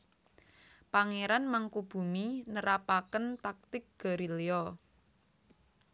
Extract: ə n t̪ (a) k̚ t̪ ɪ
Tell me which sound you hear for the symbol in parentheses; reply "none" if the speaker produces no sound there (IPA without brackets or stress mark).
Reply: a